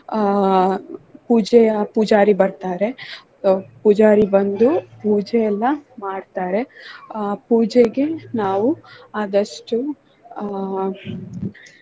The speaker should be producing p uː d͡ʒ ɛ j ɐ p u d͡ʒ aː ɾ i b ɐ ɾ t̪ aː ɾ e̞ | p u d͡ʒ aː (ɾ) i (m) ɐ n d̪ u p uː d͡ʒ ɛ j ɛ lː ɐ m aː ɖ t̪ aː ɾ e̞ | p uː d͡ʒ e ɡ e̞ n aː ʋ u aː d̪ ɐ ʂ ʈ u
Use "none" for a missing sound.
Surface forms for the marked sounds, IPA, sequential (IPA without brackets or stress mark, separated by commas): ɾ, b